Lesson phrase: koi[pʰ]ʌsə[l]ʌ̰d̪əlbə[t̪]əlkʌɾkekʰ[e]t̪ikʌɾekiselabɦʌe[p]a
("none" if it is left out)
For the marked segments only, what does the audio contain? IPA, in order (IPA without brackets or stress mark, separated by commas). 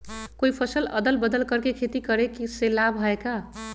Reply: pʰ, l, d̪, e, k